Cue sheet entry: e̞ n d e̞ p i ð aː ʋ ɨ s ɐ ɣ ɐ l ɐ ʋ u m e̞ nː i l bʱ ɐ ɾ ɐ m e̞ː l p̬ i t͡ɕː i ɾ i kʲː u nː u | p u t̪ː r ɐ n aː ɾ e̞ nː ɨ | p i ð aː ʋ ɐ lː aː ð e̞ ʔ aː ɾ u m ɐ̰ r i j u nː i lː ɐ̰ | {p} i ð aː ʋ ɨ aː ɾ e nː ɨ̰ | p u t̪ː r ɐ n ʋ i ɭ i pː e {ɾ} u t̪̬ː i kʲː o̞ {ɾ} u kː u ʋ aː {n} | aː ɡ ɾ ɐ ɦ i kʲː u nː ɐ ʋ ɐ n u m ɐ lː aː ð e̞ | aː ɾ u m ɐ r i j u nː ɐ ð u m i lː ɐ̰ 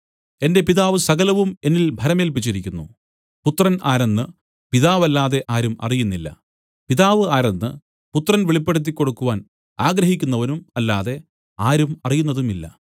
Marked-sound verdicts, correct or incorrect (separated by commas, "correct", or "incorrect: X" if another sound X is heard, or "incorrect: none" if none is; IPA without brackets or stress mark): correct, incorrect: ɽ, incorrect: ɽ, correct